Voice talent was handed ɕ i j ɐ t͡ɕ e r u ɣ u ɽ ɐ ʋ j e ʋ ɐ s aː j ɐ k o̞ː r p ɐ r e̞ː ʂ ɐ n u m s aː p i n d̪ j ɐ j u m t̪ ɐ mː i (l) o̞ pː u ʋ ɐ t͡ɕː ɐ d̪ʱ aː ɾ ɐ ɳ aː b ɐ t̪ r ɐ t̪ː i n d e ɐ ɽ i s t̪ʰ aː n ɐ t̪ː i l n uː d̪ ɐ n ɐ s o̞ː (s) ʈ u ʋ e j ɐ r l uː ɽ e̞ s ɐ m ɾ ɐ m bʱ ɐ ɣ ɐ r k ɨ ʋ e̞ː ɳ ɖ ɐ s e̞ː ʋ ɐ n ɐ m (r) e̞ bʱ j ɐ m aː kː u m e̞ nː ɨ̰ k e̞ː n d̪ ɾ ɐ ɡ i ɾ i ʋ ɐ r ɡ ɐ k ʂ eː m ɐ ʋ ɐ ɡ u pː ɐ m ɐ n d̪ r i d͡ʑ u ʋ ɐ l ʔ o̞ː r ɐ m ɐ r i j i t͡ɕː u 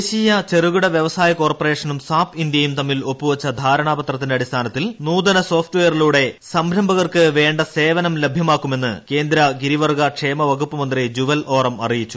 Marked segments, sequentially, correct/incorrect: correct, incorrect: f, incorrect: l

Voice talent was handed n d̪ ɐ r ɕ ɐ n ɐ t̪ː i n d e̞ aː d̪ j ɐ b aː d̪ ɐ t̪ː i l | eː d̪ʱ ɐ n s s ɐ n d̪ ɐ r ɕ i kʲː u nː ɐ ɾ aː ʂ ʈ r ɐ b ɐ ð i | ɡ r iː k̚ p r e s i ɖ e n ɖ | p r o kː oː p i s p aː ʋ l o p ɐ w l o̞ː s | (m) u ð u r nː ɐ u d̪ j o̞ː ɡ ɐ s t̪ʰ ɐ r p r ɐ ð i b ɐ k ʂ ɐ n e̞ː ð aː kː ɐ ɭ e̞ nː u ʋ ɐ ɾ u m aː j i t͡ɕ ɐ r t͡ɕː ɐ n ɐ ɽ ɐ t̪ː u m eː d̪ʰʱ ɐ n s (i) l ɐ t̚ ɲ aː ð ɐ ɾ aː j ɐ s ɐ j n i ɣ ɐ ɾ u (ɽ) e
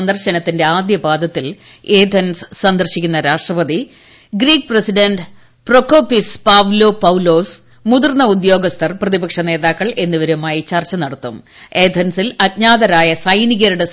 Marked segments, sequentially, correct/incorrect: correct, correct, correct

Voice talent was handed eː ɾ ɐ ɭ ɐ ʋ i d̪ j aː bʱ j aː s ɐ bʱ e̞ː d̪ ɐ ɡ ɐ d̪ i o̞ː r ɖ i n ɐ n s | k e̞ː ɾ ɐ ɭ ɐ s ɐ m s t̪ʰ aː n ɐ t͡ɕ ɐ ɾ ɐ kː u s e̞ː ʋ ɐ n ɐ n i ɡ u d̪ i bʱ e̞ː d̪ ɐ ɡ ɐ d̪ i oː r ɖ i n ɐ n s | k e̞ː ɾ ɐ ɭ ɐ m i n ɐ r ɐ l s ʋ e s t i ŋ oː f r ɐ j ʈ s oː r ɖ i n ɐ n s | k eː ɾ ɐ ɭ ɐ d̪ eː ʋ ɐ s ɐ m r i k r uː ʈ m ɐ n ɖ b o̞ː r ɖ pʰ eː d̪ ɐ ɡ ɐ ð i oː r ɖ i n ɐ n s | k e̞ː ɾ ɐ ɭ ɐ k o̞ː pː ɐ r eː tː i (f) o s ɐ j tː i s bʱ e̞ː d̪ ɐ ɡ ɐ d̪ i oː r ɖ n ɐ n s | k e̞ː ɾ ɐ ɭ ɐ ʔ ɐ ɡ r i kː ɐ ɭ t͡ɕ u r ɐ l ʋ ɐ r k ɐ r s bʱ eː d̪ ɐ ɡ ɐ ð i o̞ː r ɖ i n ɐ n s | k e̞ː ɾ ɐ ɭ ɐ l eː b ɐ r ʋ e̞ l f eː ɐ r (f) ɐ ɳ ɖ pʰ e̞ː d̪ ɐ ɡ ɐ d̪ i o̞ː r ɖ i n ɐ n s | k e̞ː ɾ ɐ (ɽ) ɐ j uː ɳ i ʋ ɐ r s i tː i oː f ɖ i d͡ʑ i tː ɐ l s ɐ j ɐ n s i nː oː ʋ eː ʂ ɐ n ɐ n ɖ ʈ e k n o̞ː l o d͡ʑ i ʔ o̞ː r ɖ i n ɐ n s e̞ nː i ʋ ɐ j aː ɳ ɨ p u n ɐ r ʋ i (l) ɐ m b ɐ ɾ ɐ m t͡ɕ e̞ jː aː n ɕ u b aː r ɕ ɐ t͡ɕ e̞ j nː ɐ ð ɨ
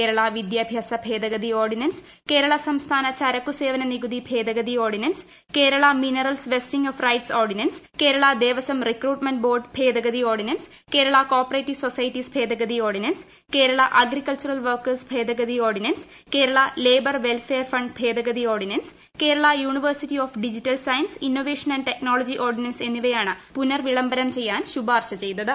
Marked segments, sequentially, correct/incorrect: incorrect: s, correct, incorrect: ɭ, incorrect: ɭ

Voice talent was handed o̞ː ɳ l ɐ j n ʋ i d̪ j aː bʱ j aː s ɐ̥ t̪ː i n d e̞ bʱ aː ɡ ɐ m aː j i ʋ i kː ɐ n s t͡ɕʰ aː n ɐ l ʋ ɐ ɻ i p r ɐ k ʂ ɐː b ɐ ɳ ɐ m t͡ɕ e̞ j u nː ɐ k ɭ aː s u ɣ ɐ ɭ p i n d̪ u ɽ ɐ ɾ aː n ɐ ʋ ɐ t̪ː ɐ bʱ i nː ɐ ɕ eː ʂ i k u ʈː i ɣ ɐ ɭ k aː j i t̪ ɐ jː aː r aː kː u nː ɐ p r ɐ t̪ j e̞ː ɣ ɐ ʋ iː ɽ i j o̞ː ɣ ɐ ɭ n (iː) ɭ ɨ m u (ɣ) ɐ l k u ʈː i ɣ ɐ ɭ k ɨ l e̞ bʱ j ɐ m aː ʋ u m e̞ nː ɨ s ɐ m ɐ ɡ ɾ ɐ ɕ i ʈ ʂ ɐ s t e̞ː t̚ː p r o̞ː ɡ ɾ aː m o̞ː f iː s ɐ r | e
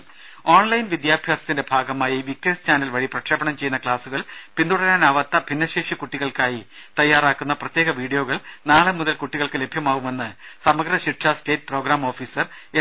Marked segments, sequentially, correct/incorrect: incorrect: aː, incorrect: ð

